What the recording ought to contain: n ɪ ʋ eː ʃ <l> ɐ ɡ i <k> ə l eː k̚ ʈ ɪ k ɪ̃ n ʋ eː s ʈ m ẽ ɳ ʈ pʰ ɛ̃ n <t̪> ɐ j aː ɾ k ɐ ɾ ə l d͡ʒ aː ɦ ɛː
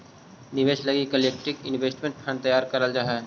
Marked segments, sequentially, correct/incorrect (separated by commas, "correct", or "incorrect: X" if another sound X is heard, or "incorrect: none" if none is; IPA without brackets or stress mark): correct, correct, correct